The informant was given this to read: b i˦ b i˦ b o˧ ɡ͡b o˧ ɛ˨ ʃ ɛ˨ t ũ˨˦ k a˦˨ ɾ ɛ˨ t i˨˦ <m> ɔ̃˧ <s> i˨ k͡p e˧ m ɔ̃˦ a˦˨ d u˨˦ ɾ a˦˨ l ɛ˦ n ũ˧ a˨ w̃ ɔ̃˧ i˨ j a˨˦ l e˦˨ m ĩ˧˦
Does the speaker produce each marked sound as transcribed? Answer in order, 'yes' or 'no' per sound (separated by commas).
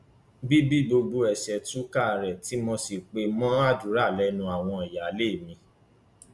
yes, yes